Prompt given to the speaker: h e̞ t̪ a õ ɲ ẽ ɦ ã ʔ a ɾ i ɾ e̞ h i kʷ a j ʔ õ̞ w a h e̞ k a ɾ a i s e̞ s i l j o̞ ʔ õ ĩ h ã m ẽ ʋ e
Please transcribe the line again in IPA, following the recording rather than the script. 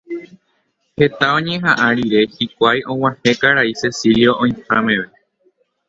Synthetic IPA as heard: h e̞ t̪ a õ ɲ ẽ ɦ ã ʔ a ɾ i ɾ e̞ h i kʷ a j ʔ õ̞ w a h e̞ k a ɾ a i s e̞ s i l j o̞ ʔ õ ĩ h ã m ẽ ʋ e